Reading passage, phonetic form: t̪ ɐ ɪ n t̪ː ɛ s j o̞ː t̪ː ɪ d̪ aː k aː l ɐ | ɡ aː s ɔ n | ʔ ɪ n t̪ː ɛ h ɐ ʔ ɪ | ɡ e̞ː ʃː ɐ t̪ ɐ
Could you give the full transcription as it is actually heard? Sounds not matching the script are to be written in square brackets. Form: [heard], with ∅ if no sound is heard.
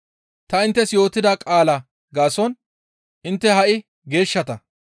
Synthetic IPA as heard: t̪ ɐ ɪ n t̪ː ɛ s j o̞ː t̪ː ɪ d̪ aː [kʼ] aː l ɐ | ɡ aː s ɔ n | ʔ ɪ n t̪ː ɛ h ɐ ʔ ɪ | ɡ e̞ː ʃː ɐ t̪ ɐ